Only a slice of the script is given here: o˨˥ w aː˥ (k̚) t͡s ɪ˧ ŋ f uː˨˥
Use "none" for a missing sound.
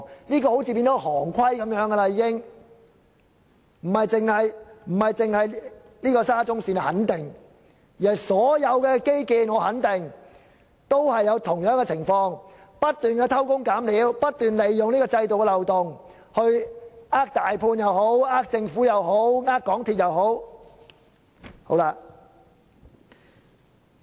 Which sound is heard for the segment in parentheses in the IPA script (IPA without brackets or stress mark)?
k̚